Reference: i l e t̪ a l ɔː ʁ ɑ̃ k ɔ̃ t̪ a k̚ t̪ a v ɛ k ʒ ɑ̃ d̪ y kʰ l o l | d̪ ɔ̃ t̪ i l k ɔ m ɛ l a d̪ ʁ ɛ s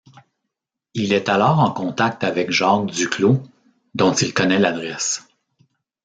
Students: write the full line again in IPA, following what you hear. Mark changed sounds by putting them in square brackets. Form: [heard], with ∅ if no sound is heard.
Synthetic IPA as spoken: i l [ɛ] t̪ a l ɔː ʁ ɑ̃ k ɔ̃ t̪ a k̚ t̪ a v ɛ k ʒ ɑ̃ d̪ y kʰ l o [∅] | d̪ ɔ̃ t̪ i l k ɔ [n] ɛ l a d̪ ʁ ɛ s